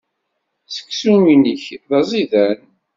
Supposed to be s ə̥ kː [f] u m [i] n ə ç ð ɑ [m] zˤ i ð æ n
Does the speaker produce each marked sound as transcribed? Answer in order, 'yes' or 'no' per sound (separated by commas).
no, yes, no